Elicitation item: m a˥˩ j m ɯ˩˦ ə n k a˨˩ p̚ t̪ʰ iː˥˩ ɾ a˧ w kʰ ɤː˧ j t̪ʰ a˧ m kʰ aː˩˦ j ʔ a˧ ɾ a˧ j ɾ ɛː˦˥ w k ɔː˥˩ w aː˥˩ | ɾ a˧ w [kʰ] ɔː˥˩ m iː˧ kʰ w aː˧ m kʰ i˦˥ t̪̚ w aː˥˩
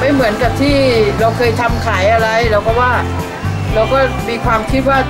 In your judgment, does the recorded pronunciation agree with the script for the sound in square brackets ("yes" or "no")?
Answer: no